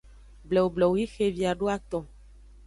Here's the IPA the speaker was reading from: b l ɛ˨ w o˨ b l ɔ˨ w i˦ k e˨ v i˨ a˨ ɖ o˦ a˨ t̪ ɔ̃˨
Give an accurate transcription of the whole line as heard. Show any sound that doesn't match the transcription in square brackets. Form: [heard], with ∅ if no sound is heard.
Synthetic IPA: b l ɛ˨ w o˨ b l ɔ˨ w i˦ [x] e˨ v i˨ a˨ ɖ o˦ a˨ t̪ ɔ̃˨